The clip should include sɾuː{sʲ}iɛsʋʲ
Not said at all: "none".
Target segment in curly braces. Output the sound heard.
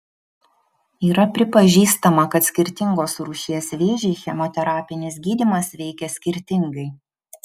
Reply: ʃʲ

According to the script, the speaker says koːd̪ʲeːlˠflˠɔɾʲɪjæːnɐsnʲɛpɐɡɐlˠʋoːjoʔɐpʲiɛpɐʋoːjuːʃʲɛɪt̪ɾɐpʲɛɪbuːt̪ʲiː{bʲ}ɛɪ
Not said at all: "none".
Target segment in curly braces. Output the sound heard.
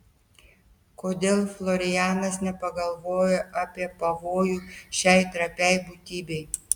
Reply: bʲ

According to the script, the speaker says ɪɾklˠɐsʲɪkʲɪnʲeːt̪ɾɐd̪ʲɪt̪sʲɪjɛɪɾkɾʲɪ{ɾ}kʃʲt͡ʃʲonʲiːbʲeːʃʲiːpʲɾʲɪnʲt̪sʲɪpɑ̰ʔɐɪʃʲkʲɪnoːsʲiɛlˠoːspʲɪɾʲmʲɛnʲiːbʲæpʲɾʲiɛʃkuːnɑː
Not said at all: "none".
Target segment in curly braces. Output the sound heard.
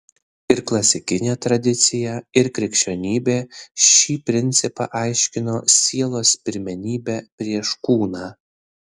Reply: none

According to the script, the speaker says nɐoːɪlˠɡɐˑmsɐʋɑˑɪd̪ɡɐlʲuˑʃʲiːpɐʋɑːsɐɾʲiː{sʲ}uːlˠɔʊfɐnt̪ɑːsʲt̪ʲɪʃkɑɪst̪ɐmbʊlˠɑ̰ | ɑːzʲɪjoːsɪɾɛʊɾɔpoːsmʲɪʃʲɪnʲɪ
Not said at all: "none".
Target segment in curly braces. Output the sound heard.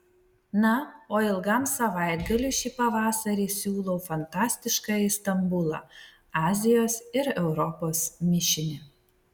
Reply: sʲ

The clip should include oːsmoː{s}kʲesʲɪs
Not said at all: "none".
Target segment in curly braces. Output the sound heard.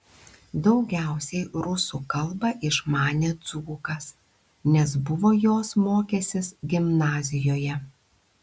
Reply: none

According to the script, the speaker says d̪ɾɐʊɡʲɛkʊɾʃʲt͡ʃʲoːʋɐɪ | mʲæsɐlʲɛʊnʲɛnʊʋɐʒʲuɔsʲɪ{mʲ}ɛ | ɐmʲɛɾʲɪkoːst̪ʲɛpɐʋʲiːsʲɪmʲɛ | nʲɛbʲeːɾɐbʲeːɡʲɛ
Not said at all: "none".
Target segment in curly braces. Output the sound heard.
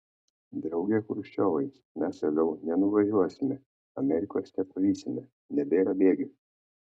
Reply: mʲ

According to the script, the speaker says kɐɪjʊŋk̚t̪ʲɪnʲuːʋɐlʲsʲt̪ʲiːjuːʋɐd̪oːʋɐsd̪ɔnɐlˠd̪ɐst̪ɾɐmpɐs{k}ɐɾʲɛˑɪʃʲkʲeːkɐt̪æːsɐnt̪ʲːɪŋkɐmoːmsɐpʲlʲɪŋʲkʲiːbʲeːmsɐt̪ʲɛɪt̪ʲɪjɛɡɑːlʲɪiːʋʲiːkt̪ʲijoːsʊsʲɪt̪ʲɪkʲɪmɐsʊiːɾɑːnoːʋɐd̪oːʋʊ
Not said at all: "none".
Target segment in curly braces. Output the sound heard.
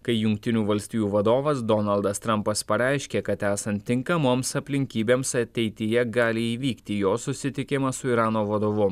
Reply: p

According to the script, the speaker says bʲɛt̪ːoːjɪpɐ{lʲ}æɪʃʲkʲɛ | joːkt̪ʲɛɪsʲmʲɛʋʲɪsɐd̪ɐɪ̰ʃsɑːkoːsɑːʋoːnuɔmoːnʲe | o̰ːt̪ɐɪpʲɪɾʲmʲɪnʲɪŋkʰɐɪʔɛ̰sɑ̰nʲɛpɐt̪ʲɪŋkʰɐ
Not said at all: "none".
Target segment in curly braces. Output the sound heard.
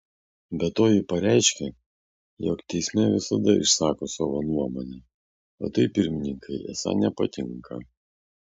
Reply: ɾʲ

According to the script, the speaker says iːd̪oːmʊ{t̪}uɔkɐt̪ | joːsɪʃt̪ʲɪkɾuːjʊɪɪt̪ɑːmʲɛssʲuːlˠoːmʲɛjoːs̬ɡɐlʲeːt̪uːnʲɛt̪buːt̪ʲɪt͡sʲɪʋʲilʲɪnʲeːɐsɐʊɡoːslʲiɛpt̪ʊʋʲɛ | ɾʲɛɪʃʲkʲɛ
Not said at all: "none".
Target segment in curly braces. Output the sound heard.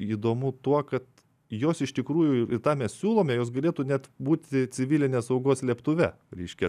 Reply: t̪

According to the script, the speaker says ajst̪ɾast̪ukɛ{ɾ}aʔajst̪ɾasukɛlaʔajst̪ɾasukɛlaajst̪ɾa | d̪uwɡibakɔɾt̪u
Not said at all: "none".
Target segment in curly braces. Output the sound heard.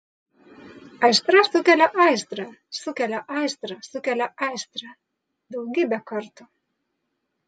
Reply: l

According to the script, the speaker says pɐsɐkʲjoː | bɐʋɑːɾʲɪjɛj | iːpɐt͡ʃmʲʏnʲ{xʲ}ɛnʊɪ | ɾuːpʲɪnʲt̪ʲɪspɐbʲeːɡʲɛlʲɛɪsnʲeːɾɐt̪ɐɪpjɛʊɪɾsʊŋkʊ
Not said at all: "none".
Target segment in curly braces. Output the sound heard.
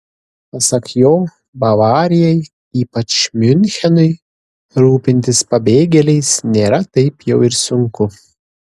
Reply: xʲ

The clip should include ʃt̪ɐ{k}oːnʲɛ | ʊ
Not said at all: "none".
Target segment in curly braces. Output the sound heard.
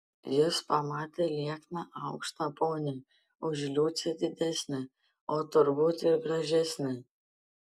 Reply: p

